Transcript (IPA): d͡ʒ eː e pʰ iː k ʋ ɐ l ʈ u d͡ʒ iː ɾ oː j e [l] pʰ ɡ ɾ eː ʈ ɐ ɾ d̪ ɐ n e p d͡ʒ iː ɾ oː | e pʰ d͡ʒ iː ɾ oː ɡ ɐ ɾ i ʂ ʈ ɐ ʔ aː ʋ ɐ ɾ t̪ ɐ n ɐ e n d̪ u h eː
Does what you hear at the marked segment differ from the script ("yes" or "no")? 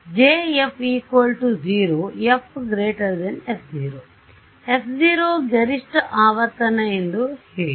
yes